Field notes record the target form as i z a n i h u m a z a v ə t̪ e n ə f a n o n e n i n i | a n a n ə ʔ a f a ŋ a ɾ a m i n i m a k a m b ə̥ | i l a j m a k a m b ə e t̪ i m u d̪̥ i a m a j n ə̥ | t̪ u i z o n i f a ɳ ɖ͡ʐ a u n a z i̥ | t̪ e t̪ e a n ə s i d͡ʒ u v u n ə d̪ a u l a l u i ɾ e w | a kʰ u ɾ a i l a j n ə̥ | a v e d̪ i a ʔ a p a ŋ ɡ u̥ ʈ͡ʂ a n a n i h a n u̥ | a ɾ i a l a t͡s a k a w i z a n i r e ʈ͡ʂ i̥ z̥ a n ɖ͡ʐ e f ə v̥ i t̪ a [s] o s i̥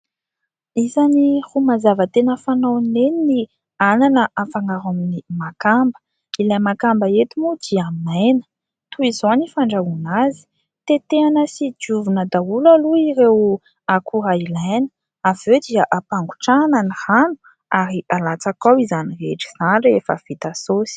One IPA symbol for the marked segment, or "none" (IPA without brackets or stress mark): s